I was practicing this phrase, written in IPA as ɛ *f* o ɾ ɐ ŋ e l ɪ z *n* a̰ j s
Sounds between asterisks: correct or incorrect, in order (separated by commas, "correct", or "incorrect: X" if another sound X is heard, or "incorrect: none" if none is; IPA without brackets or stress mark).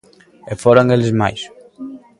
correct, incorrect: m